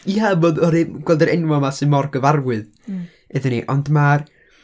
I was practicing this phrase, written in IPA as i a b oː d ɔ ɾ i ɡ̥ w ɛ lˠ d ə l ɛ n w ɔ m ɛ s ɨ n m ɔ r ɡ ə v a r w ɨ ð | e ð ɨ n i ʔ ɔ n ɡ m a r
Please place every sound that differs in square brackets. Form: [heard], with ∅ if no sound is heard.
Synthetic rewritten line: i a b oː d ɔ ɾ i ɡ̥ w ɛ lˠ d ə [ɾ] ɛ n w ɔ m [a] s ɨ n m ɔ r ɡ ə v a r w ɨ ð | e ð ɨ n i ʔ ɔ n [d] m a r